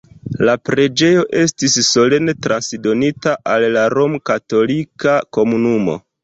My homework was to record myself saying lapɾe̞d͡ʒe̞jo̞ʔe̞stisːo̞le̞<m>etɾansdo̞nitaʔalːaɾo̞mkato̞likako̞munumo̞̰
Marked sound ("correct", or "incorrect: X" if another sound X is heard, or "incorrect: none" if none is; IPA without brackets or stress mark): incorrect: n